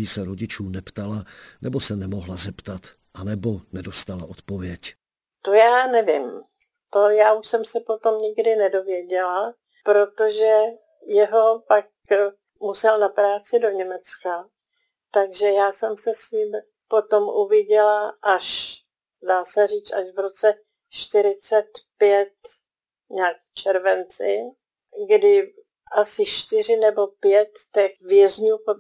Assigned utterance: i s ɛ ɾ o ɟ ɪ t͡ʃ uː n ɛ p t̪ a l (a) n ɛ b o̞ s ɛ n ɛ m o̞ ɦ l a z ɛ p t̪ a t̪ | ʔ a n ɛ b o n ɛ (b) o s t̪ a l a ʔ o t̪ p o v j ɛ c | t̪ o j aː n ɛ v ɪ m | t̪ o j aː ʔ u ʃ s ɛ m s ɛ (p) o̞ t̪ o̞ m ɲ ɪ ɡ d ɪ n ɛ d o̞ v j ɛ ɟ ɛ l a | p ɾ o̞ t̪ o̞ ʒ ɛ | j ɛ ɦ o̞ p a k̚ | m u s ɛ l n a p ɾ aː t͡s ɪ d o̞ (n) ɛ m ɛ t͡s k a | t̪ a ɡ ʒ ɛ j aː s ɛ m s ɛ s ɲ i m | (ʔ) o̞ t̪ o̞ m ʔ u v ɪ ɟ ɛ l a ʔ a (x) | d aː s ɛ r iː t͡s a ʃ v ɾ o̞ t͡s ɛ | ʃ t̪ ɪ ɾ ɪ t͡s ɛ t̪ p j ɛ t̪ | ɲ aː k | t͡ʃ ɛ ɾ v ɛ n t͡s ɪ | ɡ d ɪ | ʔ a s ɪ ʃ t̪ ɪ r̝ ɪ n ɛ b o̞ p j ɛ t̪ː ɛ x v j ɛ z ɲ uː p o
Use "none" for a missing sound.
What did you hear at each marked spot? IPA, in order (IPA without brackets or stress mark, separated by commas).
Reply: a, d, p, ɲ, p, ʃ